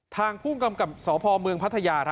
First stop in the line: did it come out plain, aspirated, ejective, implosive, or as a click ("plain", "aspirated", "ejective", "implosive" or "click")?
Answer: aspirated